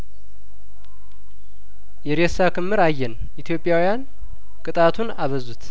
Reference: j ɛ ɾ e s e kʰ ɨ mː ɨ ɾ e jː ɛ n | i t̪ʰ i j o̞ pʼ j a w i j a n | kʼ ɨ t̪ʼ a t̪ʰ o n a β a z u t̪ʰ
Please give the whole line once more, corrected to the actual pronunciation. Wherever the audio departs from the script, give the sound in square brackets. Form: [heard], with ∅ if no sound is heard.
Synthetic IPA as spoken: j ɛ ɾ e s [a] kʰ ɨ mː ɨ ɾ [a] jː ɛ n | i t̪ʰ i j o̞ pʼ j a w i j a n | kʼ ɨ t̪ʼ a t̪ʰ [u] n a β [ə] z u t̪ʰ